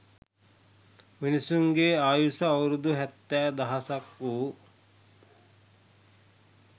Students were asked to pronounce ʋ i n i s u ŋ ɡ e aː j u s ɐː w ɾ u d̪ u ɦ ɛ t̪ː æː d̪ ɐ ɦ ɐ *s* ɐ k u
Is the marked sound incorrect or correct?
correct